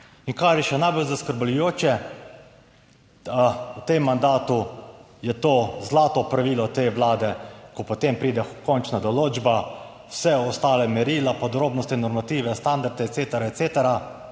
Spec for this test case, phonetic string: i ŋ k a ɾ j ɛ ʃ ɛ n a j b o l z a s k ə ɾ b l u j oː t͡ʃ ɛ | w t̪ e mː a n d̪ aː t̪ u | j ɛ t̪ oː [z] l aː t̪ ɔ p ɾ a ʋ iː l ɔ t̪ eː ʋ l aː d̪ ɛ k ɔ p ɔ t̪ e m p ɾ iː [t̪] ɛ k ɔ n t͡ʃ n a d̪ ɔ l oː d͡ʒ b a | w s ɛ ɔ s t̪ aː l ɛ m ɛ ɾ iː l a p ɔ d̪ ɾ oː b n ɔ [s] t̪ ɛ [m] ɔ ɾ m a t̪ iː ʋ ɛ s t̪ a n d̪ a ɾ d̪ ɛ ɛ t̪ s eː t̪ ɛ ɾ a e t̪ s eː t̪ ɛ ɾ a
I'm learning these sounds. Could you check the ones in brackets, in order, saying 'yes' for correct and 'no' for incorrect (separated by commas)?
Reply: yes, no, yes, no